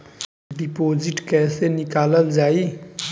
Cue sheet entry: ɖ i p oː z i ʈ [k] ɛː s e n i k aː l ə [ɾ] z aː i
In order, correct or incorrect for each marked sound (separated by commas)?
correct, incorrect